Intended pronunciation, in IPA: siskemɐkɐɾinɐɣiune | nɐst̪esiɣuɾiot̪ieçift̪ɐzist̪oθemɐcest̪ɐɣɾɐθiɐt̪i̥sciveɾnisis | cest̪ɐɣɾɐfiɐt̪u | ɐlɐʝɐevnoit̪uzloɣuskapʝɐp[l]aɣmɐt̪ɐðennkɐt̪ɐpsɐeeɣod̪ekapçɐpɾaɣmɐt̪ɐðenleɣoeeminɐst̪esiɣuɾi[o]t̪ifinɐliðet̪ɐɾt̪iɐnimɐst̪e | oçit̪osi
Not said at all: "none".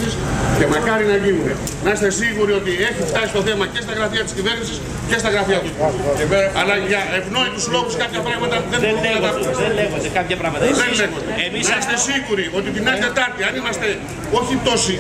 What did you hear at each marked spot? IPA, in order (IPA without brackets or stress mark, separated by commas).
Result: ɾ, o